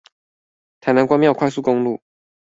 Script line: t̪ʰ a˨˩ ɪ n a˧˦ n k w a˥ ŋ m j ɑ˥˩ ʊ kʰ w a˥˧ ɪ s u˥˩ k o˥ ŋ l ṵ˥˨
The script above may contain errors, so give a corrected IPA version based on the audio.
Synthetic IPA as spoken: t̪ʰ a˨˩ ɪ n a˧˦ n k w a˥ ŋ m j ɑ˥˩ ʊ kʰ w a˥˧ ɪ s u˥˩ k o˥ ŋ l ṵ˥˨

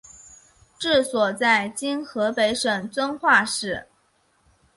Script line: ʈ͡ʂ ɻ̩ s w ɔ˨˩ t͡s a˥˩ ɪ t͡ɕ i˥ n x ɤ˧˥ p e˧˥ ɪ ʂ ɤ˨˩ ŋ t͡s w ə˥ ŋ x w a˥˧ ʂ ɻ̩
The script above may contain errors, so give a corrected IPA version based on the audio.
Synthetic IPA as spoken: ʈ͡ʂ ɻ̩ s w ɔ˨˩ t͡s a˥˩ ɪ t͡ɕ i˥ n x ɤ˧˥ p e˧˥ ɪ ʂ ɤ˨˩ ŋ t͡s w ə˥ n x w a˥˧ ʂ ɻ̩

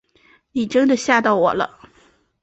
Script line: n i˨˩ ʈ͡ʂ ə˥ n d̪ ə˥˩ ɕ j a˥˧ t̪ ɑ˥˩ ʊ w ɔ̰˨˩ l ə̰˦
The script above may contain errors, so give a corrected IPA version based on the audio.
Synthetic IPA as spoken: n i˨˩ ʈ͡ʂ ə˥ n d̪ ə˨ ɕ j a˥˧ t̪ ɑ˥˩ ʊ w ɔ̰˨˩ l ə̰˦

